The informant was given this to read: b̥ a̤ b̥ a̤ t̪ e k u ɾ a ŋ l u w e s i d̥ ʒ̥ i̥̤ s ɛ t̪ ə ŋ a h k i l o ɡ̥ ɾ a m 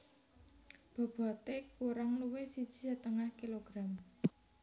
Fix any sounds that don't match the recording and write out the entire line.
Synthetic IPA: b̥ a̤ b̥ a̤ t̪ e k u ɾ a ŋ l u w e s i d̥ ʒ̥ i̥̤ s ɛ t̪ ə ŋ a h k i l o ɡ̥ ɾ a m